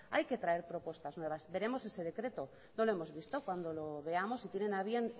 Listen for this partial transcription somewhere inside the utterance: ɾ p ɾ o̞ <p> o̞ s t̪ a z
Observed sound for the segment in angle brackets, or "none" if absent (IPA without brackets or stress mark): p